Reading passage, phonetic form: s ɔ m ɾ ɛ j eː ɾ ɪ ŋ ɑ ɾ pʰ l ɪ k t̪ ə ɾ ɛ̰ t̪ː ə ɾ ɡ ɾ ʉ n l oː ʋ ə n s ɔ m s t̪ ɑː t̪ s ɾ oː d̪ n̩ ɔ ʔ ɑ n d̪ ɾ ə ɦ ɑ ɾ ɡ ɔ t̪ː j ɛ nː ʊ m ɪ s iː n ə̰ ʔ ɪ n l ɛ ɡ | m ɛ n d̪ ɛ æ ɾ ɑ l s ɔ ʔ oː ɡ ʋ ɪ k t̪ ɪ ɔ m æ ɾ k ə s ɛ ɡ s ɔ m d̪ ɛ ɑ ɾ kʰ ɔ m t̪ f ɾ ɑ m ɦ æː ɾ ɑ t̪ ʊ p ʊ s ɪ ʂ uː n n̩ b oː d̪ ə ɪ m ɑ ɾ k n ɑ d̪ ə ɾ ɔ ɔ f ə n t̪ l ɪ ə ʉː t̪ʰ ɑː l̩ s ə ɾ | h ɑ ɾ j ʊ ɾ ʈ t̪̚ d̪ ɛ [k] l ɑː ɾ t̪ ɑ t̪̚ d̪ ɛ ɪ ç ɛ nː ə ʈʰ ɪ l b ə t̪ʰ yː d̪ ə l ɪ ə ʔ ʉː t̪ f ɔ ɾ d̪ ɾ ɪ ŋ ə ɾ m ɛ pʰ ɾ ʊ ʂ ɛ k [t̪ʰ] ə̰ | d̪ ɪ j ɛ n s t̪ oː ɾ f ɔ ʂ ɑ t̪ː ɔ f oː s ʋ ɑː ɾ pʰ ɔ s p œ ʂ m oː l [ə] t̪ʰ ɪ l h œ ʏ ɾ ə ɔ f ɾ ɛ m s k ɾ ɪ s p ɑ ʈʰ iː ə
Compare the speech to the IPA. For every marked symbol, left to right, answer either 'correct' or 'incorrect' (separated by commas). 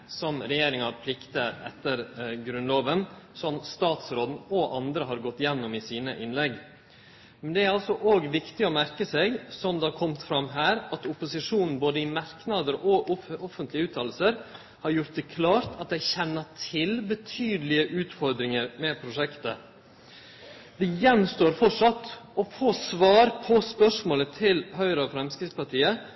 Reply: incorrect, incorrect, correct